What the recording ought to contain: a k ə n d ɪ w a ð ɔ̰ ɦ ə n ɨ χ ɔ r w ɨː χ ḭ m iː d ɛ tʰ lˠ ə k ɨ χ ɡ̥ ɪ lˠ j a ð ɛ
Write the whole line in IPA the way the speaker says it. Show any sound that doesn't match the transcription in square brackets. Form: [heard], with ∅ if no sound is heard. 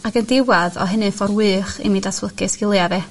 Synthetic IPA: a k ə n d ɪ w a ð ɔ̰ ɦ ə n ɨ [f] ɔ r w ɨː χ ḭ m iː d [a] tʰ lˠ ə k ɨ [s] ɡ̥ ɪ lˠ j a ð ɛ

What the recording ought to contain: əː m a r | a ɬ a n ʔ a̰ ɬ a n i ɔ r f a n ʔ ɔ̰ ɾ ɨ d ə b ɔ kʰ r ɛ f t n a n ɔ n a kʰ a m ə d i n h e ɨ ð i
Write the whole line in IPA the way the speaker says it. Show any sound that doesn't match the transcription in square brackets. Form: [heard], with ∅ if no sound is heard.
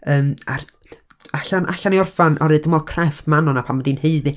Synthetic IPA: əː m a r | a ɬ a n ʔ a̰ ɬ a n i ɔ r f a n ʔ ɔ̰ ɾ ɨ d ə [m] ɔ kʰ r ɛ f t [m] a n ɔ n a [pʰ] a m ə d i n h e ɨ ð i

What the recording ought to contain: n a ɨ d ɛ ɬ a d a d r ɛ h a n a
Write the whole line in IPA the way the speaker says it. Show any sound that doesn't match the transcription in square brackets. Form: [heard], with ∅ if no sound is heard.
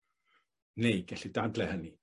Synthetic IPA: n [e] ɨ [ɡ] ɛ ɬ [i] d a d [l] ɛ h [ə] n [i]

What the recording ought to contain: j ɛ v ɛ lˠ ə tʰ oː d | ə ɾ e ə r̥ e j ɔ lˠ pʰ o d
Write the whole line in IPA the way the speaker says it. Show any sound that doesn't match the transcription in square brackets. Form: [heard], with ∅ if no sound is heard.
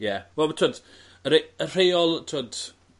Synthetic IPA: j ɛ [w] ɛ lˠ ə tʰ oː d | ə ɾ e ə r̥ e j ɔ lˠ [tʰ] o d

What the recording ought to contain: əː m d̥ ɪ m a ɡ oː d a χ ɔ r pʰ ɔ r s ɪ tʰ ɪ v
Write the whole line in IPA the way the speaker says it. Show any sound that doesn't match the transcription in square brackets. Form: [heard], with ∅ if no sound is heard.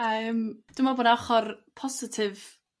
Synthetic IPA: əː m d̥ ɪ m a [b] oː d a χ ɔ r pʰ ɔ [∅] s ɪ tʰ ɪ v

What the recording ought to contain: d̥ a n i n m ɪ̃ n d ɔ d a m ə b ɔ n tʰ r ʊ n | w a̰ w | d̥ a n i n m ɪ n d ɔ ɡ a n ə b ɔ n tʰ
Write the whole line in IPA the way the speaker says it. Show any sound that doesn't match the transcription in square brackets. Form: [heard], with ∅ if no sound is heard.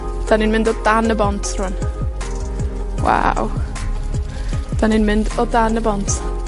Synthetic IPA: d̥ a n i n m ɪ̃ n d ɔ d a [n] ə b ɔ n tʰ r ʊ n | w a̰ w | d̥ a n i n m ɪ n d ɔ [d] a n ə b ɔ n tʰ

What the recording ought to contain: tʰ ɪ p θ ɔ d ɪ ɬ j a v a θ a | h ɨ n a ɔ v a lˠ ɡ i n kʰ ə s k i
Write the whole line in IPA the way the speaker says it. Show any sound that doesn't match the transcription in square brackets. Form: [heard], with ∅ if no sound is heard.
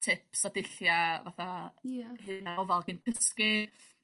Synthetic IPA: tʰ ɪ p [s] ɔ d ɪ ɬ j a v a θ a | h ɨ n a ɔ v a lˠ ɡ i n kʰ ə s k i

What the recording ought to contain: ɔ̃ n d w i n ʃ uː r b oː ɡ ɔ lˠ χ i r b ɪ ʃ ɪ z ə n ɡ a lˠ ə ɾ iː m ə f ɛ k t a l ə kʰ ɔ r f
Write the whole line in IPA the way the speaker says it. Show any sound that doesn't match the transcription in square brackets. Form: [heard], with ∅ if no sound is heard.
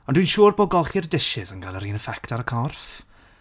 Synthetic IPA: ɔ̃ n d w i n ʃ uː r b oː ɡ ɔ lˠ χ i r [d] ɪ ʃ ɪ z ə n ɡ a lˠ ə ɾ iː [n] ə f ɛ k t a [ɾ] ə kʰ ɔ r f

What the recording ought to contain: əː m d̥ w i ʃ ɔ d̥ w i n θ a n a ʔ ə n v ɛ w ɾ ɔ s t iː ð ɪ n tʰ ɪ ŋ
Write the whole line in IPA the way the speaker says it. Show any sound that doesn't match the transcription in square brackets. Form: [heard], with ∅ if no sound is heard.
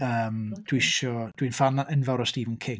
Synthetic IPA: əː m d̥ w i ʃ ɔ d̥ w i n [f] a n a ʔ ə n v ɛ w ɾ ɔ s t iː [v] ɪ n [kʰ] ɪ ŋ

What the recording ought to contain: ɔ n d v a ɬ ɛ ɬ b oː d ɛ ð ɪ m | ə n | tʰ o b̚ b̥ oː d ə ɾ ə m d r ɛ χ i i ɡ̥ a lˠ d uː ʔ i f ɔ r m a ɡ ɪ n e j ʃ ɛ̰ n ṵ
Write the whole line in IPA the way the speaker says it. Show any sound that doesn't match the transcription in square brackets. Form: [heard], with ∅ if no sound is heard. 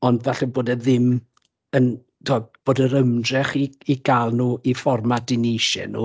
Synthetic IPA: ɔ n d v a ɬ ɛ [∅] b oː d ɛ ð ɪ m | ə n | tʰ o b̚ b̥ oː d ə ɾ ə m d r ɛ χ i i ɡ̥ a lˠ [n] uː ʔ i f ɔ r m a [d] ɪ n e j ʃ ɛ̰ n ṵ

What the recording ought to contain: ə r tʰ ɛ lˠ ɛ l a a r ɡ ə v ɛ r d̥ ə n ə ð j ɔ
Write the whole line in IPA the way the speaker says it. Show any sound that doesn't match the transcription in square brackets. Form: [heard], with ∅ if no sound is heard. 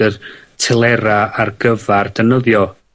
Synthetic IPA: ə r tʰ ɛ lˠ ɛ [ɾ] a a r ɡ ə v [a] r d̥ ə n ə ð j ɔ

